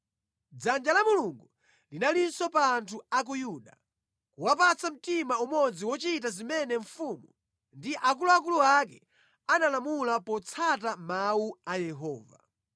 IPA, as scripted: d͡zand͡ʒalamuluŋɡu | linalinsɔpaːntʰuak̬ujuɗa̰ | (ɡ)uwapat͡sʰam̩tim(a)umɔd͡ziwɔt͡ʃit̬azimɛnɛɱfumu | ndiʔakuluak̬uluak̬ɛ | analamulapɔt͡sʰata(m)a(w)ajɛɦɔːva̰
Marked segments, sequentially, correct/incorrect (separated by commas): incorrect, correct, correct, incorrect